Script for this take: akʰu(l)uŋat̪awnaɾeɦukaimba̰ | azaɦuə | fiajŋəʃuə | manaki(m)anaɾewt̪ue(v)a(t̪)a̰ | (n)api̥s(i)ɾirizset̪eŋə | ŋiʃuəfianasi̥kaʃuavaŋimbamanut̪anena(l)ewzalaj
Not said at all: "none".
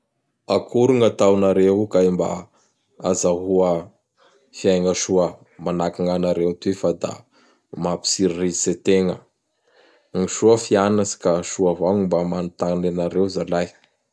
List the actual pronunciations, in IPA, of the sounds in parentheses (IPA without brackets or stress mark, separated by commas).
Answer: ɾ, ŋ, f, d̪, m, i, ɾ